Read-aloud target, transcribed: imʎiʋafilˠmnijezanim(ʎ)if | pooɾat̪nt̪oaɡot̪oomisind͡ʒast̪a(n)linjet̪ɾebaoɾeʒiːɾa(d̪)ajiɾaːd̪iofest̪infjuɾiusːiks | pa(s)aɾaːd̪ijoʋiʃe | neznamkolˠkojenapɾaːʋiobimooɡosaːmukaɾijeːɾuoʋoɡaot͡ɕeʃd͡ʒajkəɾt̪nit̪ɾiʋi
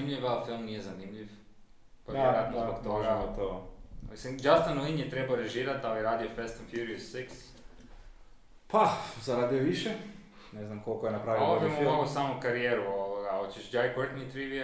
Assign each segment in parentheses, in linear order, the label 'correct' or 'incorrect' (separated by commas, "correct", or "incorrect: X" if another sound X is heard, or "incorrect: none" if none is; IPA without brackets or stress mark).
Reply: correct, correct, incorrect: t̪, incorrect: z